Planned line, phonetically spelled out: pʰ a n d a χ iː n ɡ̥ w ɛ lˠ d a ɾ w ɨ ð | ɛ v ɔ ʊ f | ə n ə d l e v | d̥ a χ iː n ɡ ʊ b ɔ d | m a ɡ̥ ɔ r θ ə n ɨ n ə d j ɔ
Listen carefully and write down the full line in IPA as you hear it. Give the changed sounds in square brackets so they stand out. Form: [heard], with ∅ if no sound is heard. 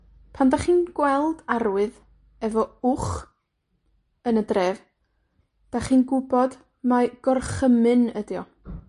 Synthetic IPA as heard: pʰ a n d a χ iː n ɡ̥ w ɛ lˠ d a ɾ w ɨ ð | ɛ v ɔ ʊ [χ] | ə n ə d [r] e v | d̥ a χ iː n ɡ ʊ b ɔ d | m a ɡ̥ ɔ r [χ] ə [m] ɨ n ə d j ɔ